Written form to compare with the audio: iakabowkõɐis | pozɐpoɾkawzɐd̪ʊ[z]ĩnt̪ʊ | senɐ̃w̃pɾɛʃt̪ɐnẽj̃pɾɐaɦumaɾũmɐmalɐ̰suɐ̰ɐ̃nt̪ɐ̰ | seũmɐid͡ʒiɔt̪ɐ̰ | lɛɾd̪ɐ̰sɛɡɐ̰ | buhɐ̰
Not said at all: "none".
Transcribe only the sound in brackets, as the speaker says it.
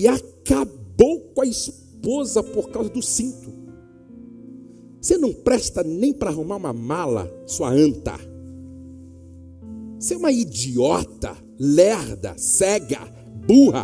s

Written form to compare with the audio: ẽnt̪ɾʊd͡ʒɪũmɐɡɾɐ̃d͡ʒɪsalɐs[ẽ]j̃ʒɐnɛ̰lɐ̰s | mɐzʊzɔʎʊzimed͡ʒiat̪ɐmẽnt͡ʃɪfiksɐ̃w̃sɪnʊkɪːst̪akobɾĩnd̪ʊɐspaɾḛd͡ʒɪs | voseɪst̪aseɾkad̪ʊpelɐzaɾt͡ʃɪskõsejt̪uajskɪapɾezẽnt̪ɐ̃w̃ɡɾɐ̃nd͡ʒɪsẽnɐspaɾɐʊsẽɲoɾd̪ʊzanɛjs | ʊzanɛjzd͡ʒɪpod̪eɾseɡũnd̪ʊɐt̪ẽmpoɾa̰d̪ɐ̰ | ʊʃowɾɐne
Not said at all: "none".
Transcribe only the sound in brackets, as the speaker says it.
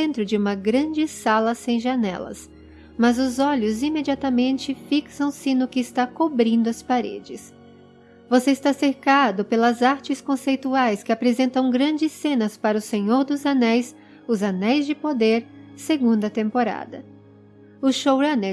ẽ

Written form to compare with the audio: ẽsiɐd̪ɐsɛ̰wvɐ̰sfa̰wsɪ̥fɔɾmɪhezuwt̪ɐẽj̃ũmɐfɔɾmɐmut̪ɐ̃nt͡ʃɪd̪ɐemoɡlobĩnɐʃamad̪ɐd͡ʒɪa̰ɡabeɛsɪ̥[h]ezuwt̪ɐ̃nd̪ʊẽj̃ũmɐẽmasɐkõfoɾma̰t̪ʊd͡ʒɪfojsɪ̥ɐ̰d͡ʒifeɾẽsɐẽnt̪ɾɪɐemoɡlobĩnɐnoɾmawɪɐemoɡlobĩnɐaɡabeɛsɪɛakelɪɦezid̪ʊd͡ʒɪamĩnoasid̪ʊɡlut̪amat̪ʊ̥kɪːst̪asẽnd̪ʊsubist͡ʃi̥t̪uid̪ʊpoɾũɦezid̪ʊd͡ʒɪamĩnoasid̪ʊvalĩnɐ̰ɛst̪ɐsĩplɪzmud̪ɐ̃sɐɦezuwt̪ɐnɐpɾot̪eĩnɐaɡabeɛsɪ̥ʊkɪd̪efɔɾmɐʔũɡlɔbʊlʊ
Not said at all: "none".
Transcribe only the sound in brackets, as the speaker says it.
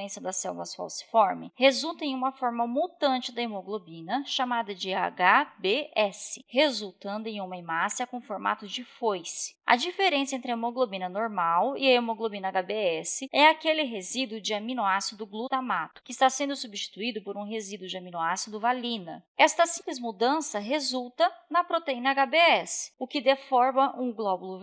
h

